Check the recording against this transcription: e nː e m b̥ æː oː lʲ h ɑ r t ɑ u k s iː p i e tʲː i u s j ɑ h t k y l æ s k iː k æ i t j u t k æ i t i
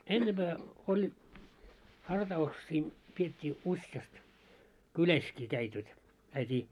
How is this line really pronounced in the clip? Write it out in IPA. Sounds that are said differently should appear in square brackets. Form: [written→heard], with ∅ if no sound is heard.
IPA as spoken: e nː e m b̥ æː [oː→o] lʲ h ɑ r t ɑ u k s iː p i e tʲː [i→iː] u s j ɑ [h→s] t k y l æ s k iː k æ i t j [u→o] t k æ i t [i→iː]